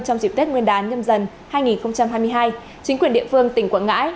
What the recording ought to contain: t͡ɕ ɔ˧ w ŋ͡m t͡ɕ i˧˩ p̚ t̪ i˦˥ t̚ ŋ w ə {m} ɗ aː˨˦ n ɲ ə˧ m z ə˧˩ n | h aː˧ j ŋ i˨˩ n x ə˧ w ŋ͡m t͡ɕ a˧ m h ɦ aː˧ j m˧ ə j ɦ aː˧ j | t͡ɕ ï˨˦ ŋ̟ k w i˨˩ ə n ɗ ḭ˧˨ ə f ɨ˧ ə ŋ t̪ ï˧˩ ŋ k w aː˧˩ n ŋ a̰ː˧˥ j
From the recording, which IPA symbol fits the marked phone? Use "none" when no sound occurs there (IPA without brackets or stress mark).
n